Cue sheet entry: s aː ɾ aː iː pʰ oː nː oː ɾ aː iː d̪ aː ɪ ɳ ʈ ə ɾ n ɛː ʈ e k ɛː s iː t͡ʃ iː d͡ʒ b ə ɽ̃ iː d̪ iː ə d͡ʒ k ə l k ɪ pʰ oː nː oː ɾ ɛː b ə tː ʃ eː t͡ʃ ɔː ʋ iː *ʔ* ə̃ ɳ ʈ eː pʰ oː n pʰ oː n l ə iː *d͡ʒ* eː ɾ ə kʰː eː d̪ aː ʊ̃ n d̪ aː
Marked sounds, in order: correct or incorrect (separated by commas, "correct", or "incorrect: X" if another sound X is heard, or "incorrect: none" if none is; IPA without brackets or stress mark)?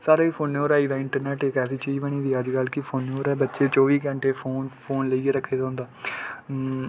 incorrect: k, incorrect: none